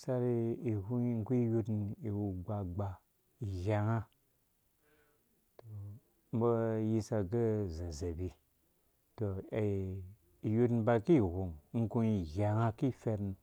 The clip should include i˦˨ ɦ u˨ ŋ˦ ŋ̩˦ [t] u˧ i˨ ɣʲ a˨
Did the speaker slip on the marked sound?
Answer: yes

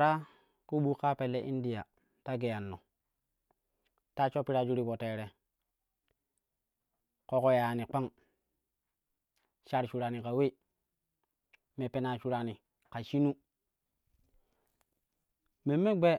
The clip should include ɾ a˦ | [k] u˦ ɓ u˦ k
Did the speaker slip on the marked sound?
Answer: no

